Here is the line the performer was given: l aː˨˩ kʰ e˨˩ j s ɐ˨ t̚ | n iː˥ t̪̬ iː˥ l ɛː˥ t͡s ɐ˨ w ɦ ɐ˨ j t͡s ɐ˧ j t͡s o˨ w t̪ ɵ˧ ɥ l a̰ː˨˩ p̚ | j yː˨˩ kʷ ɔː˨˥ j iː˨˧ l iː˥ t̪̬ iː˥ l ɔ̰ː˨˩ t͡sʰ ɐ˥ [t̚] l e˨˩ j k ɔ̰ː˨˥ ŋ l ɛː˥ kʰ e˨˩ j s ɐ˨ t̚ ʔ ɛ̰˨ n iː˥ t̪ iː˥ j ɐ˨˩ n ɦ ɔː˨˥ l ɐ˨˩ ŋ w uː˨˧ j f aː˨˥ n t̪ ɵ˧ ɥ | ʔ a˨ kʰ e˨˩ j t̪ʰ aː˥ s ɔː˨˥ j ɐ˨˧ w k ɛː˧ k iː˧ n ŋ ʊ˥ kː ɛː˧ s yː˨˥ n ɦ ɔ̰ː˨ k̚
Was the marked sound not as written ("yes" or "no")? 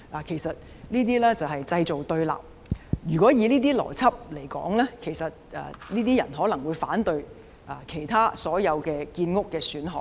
yes